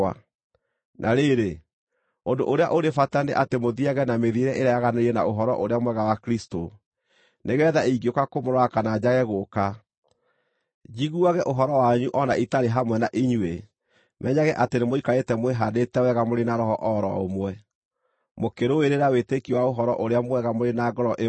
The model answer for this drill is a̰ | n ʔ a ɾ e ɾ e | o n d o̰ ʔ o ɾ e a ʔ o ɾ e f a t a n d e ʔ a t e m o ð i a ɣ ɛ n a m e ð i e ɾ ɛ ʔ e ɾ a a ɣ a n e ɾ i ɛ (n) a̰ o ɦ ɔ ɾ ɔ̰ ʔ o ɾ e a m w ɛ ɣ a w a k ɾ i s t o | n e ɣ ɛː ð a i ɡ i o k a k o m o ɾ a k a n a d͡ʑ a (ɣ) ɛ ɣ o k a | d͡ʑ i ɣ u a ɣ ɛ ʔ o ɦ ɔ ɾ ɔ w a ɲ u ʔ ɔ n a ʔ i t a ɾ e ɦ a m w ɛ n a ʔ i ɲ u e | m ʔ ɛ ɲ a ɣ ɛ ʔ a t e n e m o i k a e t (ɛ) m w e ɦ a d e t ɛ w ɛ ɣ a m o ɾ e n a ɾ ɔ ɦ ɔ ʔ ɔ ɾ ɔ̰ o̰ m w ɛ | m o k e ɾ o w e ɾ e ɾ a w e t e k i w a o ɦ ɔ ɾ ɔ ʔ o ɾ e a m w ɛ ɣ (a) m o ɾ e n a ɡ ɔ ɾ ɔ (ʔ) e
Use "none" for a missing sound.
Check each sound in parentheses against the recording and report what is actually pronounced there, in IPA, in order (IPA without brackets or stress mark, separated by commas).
n, ɣ, ɛ, a, ʔ